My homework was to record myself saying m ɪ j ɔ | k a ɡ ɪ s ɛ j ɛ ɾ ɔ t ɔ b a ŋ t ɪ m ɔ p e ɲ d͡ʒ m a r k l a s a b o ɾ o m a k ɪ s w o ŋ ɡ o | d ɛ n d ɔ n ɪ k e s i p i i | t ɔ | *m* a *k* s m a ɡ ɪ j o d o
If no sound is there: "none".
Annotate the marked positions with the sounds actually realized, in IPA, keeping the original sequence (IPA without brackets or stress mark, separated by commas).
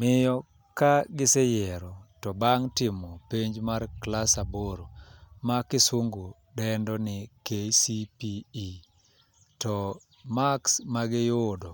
m, k